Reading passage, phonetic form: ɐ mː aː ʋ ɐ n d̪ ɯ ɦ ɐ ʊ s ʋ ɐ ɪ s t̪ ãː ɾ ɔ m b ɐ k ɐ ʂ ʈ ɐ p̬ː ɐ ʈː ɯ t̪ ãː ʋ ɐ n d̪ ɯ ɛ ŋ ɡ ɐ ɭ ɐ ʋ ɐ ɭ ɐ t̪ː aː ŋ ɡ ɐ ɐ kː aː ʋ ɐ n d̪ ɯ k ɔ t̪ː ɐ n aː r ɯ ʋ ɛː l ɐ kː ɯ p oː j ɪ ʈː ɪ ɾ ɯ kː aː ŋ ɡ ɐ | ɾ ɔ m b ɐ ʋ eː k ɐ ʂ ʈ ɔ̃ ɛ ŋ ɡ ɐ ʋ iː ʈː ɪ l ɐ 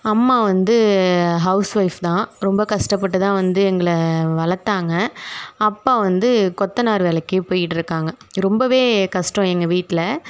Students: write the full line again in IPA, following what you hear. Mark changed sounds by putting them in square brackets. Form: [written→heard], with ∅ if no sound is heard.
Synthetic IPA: ɐ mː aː ʋ ɐ n d̪ ɯ ɦ ɐ ʊ s ʋ ɐ ɪ [s→f] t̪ ãː ɾ ɔ m b ɐ k ɐ ʂ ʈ ɐ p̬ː ɐ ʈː ɯ t̪ ãː ʋ ɐ n d̪ ɯ ɛ ŋ ɡ ɐ ɭ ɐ ʋ ɐ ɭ ɐ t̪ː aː ŋ ɡ ɐ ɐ [kː→pː] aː ʋ ɐ n d̪ ɯ k ɔ t̪ː ɐ n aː [r→ɾ] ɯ ʋ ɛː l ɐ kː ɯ p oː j ɪ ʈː ɪ ɾ ɯ kː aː ŋ ɡ ɐ | ɾ ɔ m b ɐ ʋ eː k ɐ ʂ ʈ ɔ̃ ɛ ŋ ɡ ɐ ʋ iː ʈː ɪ l ɐ